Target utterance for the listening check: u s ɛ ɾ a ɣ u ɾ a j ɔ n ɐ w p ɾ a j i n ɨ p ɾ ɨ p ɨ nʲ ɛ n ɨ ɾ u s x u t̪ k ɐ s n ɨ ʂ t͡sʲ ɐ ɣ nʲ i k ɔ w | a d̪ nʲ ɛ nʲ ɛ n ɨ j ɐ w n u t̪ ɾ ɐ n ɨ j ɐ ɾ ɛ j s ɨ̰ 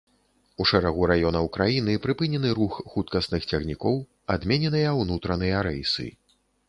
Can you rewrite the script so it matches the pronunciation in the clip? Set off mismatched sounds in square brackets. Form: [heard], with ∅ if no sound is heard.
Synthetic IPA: u [ʂ] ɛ ɾ a ɣ u ɾ a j ɔ n ɐ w [k] ɾ a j i n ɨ p ɾ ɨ p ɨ nʲ ɛ n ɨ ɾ u [x] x u t̪ k ɐ s n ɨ [x] t͡sʲ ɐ ɣ nʲ i k ɔ w | a d̪ [mʲ] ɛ nʲ ɛ n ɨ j ɐ w n u t̪ ɾ ɐ n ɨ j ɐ ɾ ɛ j s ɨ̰